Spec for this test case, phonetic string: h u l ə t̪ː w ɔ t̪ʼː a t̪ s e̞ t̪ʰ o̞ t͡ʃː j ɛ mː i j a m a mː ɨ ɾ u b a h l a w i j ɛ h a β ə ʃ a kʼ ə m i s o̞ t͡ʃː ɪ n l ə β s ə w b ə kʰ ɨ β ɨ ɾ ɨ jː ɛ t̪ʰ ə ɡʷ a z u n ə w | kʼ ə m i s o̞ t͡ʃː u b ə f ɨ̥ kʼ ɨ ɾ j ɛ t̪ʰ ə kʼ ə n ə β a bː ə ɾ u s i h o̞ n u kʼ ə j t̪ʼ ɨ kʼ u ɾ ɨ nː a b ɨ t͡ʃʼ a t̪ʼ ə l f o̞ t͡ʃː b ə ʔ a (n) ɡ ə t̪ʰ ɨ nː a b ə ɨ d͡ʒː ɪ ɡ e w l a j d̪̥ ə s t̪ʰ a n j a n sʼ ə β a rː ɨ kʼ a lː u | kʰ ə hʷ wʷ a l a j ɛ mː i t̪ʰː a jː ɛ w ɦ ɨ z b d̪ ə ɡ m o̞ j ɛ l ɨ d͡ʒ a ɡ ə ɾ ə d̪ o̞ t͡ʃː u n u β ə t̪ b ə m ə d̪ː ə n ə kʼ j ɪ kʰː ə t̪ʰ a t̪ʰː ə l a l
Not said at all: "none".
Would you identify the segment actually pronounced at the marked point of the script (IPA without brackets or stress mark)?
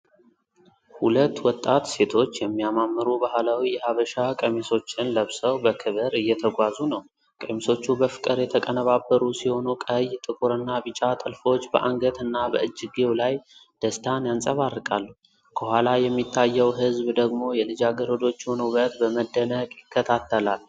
ŋ